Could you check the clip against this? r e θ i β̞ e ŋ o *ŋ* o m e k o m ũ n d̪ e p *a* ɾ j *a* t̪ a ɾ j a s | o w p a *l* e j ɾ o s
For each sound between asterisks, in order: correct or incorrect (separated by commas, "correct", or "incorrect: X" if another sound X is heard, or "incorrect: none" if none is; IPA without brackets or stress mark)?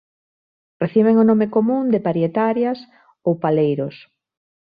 incorrect: n, correct, incorrect: e, correct